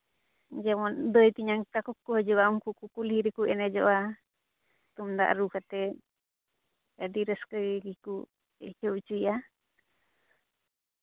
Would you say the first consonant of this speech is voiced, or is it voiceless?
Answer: voiced